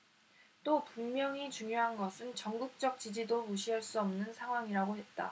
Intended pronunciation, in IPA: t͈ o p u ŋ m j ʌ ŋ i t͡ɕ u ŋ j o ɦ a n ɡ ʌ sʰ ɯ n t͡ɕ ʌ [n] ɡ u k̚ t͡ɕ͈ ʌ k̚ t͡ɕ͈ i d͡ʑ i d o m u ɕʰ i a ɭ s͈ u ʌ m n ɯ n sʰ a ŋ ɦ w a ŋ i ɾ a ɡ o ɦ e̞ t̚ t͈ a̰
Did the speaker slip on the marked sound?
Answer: yes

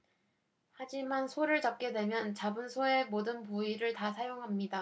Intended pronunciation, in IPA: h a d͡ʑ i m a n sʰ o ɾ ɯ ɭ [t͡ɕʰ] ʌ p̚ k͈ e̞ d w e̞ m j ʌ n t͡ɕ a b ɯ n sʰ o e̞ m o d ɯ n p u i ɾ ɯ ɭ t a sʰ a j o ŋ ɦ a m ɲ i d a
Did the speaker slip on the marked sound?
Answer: yes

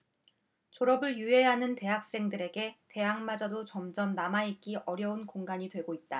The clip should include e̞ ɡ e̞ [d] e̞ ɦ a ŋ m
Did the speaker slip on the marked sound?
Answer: yes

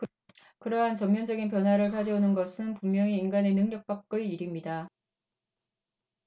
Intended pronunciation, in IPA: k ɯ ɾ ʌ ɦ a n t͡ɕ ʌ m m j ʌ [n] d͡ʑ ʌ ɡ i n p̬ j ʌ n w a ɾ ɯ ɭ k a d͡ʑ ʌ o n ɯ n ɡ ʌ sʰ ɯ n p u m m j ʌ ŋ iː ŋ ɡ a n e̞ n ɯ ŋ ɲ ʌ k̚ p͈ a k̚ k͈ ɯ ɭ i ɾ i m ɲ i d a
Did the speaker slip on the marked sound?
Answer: no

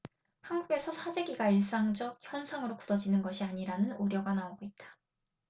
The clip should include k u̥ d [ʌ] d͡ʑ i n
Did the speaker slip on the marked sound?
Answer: no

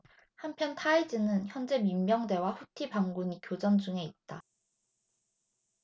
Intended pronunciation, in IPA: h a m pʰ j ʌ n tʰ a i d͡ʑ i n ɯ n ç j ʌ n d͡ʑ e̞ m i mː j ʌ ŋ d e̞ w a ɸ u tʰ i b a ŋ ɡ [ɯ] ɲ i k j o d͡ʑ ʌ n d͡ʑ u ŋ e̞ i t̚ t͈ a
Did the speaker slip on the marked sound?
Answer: yes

